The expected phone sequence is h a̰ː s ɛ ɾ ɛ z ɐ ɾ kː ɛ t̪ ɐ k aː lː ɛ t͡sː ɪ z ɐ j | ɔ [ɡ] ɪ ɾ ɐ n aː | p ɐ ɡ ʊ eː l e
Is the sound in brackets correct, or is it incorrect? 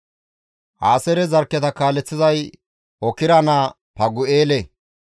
incorrect